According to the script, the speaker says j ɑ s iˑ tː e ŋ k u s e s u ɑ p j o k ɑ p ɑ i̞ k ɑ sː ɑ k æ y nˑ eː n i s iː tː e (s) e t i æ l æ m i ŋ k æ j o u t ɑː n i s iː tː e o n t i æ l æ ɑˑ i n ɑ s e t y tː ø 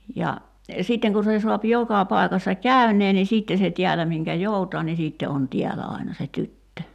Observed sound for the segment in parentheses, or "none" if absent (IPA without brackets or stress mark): s